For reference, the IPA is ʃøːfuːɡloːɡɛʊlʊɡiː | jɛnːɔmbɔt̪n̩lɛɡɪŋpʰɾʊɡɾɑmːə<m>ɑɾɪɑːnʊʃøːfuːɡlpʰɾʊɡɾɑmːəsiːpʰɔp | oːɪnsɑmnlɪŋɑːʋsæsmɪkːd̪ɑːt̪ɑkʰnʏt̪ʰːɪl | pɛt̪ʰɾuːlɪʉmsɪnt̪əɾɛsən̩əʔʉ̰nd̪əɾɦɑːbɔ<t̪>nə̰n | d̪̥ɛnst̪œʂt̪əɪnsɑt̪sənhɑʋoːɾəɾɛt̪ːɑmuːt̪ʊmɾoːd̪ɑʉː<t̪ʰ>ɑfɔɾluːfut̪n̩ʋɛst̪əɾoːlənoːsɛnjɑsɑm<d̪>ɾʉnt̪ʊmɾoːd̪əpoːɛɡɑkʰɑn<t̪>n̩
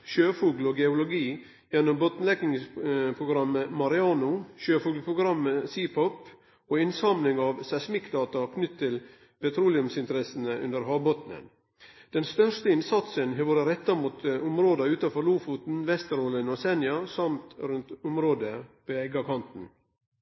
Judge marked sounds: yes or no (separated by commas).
yes, yes, no, no, yes